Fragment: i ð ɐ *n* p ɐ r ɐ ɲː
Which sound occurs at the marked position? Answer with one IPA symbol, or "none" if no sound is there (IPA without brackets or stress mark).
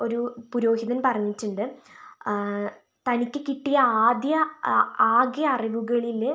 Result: n